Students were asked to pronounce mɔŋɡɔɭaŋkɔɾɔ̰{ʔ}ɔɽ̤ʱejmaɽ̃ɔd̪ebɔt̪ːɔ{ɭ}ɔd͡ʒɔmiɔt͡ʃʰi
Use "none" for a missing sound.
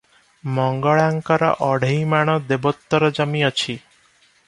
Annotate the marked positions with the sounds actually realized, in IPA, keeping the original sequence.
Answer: ʔ, ɾ

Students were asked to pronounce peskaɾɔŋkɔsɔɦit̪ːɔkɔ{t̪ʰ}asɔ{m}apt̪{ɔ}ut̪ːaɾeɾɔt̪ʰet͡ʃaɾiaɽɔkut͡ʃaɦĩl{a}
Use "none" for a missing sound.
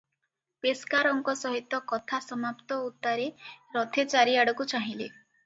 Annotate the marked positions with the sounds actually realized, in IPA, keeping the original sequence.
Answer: t̪ʰ, m, ɔ, e

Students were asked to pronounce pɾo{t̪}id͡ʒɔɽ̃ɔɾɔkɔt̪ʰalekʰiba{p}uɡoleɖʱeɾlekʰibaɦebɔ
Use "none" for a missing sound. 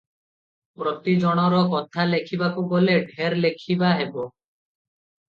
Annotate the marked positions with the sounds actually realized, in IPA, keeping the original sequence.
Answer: t̪, k

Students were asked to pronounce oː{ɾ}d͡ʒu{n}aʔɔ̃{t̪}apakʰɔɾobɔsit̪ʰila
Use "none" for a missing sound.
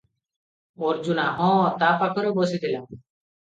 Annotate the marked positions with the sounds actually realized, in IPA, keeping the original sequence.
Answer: ɾ, n, t̪

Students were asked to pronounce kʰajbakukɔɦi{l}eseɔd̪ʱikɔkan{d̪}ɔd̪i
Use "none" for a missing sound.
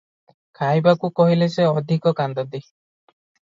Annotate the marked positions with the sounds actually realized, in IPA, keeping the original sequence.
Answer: l, d̪

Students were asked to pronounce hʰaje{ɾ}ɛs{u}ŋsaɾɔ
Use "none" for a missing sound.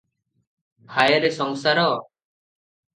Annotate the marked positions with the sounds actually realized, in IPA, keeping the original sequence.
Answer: ɾ, ɔ

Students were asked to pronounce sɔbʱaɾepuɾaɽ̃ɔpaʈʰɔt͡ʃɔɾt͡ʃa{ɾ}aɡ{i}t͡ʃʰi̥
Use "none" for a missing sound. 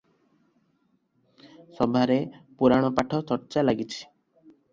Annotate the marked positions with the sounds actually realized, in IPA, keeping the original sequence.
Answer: l, i

